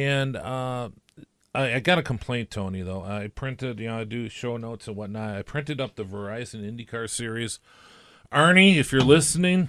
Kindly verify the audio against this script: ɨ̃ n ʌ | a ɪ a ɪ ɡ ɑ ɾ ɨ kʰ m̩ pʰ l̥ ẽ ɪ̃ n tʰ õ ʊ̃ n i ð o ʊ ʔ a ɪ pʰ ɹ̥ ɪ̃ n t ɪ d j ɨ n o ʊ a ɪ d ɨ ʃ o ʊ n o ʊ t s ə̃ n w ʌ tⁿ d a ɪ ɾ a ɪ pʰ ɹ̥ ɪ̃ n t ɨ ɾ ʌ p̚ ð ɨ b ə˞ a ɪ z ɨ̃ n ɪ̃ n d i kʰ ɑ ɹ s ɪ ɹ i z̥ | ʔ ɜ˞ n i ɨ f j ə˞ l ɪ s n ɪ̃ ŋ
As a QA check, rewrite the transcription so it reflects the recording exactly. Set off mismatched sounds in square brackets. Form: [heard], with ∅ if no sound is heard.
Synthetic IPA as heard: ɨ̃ n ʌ | a ɪ a ɪ ɡ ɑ ɾ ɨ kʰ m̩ pʰ l̥ ẽ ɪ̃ n tʰ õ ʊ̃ n i ð o ʊ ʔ a ɪ pʰ ɹ̥ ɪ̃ n t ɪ d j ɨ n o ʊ a ɪ d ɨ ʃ o ʊ n o ʊ t s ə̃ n w ʌ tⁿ [n] a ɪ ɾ a ɪ pʰ ɹ̥ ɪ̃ n t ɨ ɾ ʌ p̚ ð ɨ [v] ə˞ a ɪ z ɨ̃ n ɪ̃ n d i kʰ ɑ ɹ s ɪ ɹ i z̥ | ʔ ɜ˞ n i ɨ f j ə˞ l ɪ s n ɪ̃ ŋ